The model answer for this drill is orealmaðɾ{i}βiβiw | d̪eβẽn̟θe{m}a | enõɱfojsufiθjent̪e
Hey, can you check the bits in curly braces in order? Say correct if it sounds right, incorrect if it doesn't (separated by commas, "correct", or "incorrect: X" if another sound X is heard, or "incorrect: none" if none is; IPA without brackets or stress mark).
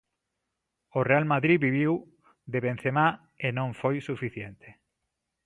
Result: correct, correct